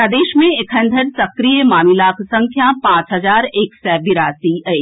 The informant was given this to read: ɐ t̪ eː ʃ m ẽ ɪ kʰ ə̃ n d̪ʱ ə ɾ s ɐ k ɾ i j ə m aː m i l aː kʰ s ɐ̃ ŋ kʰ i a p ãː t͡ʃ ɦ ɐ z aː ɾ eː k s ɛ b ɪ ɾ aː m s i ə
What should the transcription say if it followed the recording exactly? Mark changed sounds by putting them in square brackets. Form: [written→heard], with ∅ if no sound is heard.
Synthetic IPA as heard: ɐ [t̪→d̪] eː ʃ m ẽ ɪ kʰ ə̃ n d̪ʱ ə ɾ s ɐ k ɾ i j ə m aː m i l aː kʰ s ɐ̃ ŋ kʰ [i→j] a p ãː t͡ʃ ɦ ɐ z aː ɾ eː k s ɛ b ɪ ɾ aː [m→∅] s i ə